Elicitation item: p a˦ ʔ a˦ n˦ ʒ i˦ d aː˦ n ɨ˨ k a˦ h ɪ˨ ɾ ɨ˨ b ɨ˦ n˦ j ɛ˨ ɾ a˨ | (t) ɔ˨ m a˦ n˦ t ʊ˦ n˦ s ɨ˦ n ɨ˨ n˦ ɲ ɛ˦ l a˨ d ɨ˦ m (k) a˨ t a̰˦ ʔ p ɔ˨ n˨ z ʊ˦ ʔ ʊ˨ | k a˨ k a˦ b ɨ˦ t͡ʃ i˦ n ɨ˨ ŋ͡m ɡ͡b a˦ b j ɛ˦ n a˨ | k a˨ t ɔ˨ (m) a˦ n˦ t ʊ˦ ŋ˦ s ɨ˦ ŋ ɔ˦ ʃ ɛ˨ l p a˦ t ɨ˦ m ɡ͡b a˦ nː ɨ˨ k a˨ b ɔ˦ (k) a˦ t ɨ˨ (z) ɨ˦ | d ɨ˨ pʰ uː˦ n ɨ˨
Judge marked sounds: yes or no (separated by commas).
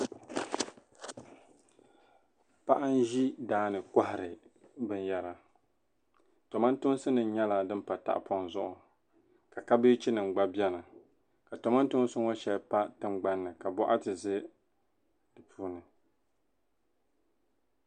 yes, no, yes, no, yes